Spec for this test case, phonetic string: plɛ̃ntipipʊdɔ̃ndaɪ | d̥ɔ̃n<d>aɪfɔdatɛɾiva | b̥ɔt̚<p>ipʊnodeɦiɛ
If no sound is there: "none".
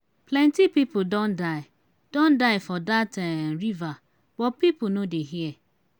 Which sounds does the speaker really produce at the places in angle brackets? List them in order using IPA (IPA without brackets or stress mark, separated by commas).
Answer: d, p